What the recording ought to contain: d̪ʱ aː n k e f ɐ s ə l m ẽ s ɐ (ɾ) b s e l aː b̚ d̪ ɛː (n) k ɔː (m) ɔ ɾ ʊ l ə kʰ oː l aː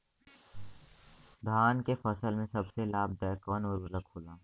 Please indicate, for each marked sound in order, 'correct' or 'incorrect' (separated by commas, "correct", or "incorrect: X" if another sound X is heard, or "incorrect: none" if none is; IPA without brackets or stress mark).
incorrect: none, incorrect: none, incorrect: n